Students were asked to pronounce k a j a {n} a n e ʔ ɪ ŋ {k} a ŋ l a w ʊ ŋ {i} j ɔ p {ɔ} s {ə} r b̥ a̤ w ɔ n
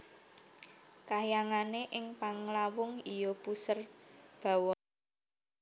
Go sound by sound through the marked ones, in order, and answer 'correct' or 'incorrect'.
incorrect: ŋ, incorrect: p, correct, incorrect: u, correct

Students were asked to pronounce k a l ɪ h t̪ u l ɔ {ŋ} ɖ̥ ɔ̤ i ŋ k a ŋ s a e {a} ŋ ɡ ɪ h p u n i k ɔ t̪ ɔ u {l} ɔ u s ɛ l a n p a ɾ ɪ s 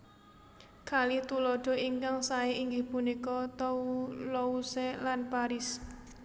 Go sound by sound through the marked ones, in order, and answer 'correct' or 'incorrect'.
incorrect: none, incorrect: i, correct

